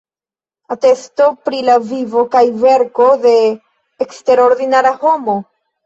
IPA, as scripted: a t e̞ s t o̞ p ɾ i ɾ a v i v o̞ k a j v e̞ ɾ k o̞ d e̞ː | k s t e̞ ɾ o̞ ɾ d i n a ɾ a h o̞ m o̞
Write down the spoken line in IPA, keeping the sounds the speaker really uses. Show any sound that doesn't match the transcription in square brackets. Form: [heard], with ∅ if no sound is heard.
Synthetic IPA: a t e̞ s t o̞ p ɾ i [l] a v i v o̞ k a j v e̞ ɾ k o̞ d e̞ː | k s t e̞ ɾ o̞ ɾ d i n a ɾ a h o̞ m o̞